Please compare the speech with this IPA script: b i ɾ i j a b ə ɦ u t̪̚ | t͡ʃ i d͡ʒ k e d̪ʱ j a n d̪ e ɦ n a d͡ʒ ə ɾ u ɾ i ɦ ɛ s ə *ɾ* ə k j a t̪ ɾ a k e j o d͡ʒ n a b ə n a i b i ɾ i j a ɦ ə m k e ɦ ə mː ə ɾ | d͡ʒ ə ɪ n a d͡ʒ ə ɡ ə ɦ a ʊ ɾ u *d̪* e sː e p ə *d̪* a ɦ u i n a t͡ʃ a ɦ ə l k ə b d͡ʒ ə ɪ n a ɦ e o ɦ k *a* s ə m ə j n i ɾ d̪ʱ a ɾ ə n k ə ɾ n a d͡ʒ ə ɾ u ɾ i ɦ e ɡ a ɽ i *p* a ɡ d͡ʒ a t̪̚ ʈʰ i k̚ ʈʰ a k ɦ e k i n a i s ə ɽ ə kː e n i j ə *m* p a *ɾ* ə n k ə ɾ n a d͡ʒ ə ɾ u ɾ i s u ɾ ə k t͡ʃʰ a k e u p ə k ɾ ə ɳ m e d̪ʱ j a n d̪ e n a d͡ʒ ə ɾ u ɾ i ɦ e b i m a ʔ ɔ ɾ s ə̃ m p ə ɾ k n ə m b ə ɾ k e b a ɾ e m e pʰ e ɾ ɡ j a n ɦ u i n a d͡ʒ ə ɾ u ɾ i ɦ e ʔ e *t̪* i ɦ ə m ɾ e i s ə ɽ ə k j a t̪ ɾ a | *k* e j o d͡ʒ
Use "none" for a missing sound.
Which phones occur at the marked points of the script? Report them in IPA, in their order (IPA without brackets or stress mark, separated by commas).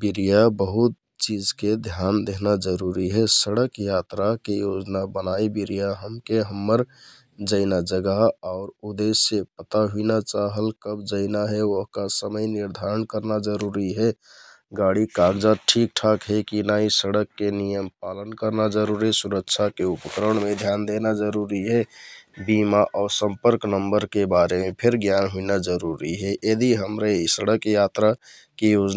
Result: ɽ, d̪, t̪, a, k, m, l, d̪, k